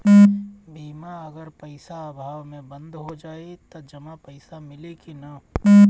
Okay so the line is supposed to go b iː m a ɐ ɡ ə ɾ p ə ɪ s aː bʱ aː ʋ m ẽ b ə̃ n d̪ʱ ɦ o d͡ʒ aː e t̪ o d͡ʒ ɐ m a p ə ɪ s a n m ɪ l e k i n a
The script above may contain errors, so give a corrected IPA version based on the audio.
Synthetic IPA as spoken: b iː m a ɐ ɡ ə ɾ p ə ɪ s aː bʱ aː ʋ m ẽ b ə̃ n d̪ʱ ɦ o d͡ʒ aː e t̪ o d͡ʒ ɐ m a p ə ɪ s a m ɪ l e k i n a